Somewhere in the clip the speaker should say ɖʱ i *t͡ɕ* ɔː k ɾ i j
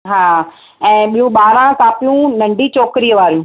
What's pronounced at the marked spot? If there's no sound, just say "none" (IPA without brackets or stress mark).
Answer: t͡ɕ